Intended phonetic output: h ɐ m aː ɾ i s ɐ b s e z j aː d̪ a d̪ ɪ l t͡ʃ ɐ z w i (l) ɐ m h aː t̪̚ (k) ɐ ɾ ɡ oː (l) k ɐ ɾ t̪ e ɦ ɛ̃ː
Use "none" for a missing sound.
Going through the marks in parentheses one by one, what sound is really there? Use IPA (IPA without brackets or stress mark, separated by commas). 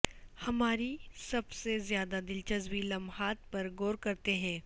l, p, ɾ